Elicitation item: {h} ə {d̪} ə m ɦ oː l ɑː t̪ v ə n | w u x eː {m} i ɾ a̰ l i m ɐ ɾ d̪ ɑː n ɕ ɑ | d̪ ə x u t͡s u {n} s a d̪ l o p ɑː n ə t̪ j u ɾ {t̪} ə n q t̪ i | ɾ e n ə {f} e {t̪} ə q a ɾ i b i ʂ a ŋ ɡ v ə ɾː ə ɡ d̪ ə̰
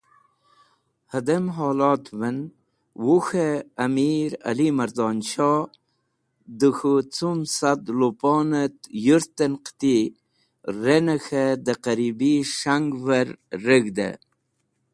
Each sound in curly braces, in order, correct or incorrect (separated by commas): correct, correct, correct, incorrect, correct, incorrect, incorrect